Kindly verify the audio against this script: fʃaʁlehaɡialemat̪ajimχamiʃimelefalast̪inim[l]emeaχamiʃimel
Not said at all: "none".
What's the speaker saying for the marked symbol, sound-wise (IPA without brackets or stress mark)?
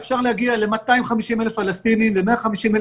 l